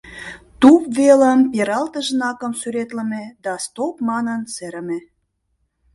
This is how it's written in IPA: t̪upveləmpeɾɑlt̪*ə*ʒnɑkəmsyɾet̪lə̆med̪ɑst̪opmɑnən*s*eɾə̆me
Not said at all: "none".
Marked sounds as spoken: ə, s

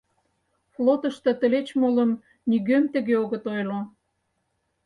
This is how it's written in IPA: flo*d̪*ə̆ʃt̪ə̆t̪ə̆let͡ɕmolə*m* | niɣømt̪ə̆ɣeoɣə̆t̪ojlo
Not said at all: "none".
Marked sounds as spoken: t̪, m

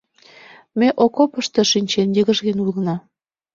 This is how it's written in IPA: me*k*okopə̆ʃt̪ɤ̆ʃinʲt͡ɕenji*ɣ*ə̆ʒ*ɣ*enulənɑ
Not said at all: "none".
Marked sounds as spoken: ʔ, ɣ, ɣ

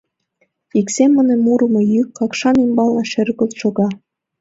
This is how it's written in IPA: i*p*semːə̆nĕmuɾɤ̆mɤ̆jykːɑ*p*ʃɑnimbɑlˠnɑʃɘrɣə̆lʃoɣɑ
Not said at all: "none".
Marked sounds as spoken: k, k

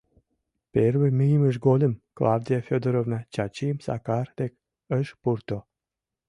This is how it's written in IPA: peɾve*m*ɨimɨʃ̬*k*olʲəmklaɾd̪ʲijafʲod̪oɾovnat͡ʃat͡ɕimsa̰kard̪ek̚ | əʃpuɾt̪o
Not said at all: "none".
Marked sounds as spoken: m, ɡ

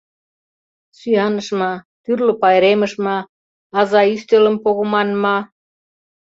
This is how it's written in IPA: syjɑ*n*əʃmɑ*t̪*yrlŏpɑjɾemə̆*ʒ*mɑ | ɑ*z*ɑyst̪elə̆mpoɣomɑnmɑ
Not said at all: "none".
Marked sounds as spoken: n, t̪, ʃ, z

